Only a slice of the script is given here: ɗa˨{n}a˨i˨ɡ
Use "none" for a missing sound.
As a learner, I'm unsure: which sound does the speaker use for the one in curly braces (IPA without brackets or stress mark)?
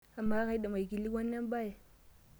m